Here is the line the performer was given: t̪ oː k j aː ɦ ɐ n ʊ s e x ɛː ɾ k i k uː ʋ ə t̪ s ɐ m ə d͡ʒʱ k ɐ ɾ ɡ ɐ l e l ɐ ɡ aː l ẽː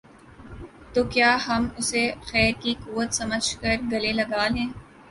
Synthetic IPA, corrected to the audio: t̪ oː k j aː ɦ ɐ m ʊ s e x ɛː ɾ k i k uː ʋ ə t̪ s ɐ m ə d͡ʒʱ k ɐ ɾ ɡ ɐ l e l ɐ ɡ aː l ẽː